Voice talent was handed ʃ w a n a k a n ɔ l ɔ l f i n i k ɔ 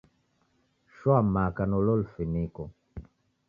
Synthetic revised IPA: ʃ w a m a k a n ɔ l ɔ l f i n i k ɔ